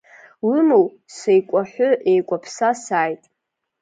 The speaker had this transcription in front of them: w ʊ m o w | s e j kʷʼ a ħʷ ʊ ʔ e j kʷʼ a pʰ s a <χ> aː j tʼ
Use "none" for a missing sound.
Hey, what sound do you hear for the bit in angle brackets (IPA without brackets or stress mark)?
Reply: s